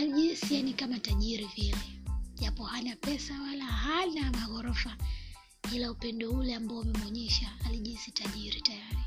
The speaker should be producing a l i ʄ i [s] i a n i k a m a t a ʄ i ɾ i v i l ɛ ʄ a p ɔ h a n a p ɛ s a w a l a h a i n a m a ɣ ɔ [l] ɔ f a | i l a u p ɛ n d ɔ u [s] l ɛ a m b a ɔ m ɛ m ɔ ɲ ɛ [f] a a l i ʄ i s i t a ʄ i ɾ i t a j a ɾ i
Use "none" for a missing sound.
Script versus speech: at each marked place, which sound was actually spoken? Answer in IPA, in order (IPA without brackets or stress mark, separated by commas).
s, ɾ, none, ʃ